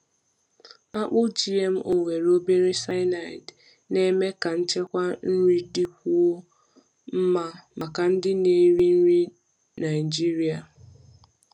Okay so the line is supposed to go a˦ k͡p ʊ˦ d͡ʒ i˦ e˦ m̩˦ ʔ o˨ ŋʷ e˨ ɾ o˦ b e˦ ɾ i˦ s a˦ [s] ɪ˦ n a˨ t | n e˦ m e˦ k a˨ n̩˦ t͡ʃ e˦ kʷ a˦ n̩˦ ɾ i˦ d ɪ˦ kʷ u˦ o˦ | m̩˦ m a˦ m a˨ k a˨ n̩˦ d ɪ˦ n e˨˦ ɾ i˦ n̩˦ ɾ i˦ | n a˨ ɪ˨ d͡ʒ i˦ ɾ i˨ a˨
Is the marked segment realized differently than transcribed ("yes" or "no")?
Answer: yes